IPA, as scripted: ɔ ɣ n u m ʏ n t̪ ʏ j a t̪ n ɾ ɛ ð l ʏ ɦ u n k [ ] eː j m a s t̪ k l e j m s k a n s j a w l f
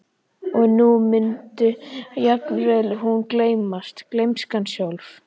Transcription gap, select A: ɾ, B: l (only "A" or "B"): B